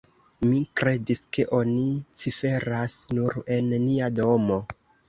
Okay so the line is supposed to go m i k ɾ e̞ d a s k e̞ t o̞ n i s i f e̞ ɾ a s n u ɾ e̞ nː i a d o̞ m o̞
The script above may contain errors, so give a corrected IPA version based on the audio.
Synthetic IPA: m i k ɾ e̞ d i s k e̞ ʔ o̞ n i t͡s i f e̞ ɾ a s n u ɾ e̞ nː i a d o̞ m o̞